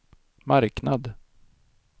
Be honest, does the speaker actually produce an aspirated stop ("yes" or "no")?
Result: no